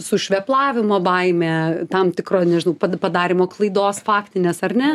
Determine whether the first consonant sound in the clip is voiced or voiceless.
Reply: voiceless